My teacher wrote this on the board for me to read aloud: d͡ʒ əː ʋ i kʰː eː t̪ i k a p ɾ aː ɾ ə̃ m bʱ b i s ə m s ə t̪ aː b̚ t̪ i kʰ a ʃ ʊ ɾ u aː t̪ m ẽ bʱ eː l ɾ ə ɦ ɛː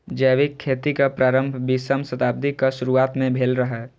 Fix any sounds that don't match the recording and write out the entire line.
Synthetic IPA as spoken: d͡ʒ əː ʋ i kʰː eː t̪ i k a p ɾ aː ɾ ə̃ m bʱ b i s ə m s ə t̪ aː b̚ d̪ i k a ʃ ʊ ɾ u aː t̪ m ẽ bʱ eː l ɾ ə ɦ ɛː